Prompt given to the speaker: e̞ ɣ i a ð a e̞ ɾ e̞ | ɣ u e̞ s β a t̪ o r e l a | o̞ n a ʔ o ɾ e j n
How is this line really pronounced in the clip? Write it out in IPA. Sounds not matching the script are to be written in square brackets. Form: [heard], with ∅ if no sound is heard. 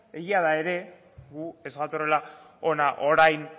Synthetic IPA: e̞ ɣ i a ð a e̞ ɾ e̞ | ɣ u e̞ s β a t̪ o r e l a | o̞ n a ʔ o ɾ [a] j n